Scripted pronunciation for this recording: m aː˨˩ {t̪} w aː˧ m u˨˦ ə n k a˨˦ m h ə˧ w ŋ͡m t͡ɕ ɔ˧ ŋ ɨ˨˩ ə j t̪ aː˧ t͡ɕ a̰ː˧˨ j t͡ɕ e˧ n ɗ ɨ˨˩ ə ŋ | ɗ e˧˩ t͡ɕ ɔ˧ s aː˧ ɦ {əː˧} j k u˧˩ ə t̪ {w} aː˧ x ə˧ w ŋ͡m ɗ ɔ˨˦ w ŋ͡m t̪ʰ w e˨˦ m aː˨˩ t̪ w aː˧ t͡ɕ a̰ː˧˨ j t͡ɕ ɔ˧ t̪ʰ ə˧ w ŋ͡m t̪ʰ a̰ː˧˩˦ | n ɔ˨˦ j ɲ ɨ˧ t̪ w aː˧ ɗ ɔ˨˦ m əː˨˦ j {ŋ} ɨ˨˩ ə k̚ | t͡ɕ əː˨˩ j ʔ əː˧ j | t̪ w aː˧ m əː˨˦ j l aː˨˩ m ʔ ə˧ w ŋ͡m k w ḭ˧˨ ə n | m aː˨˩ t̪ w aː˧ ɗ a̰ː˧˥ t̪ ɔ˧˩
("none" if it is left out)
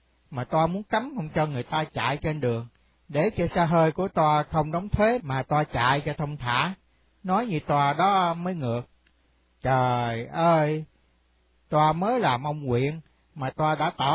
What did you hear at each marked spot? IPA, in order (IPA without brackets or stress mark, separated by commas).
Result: t̪, əː˧, w, ŋ